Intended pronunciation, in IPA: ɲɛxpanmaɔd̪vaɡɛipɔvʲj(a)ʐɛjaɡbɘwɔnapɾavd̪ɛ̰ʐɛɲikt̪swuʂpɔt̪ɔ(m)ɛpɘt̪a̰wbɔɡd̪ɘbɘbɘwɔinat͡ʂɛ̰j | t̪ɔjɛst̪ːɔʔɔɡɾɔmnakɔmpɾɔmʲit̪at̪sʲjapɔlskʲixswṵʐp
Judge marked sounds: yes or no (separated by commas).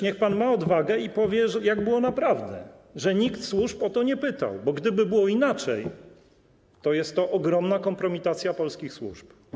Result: no, no